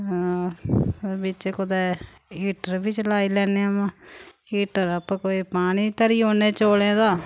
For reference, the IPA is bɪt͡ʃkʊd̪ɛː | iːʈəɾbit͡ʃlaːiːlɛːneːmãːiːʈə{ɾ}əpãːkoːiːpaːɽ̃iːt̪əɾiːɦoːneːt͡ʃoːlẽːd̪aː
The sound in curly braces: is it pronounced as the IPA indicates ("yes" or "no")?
yes